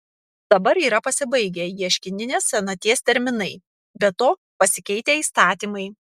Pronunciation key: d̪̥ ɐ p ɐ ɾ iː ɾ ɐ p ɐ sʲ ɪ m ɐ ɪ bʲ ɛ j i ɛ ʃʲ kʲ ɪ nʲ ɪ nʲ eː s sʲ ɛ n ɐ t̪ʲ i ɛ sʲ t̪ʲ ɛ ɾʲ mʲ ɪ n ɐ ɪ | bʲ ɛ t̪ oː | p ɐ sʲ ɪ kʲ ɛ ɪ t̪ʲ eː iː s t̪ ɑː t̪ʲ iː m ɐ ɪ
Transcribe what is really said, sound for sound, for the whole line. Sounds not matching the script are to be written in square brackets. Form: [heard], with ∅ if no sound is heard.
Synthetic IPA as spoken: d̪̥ ɐ [b] ɐ ɾ iː ɾ ɐ p ɐ sʲ ɪ [b] ɐ ɪ [ɡʲ] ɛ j i ɛ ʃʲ kʲ ɪ nʲ ɪ nʲ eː s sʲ ɛ n ɐ t̪ʲ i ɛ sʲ t̪ʲ ɛ ɾʲ mʲ ɪ n ɐ ɪ | bʲ ɛ t̪ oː | p ɐ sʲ ɪ kʲ ɛ ɪ t̪ʲ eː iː s t̪ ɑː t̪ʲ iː m ɐ ɪ